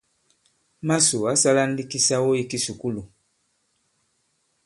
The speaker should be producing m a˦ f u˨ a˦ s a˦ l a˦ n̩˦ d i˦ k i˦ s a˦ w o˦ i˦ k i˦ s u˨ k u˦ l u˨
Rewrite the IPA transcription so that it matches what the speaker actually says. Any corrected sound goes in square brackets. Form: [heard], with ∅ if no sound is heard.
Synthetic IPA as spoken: m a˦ [s] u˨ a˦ s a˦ l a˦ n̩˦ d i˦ k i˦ s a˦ w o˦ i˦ k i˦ s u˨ k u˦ l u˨